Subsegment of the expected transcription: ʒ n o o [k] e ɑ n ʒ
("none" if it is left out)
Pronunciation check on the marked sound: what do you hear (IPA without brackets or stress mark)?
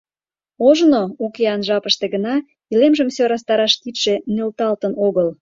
k